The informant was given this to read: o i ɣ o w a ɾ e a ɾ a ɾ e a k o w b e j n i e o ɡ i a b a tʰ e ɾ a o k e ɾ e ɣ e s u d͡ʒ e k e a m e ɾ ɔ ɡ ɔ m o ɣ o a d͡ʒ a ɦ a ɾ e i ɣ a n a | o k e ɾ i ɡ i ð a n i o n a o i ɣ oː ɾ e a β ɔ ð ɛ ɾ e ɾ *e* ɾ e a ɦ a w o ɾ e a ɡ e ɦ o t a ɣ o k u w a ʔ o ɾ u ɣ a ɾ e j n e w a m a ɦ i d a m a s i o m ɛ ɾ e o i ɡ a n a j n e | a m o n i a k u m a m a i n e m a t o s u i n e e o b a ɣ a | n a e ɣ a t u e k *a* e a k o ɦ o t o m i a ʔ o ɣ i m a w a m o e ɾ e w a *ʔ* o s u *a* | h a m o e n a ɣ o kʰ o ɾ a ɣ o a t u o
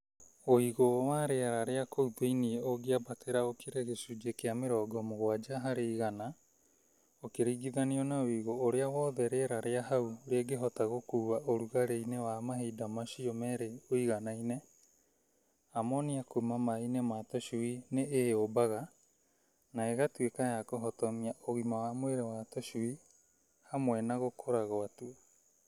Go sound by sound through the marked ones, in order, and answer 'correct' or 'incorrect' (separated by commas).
incorrect, correct, incorrect, incorrect